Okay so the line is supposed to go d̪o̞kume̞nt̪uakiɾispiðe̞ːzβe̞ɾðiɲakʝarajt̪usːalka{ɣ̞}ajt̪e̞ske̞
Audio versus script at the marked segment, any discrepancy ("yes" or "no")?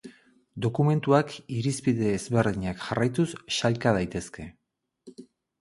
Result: yes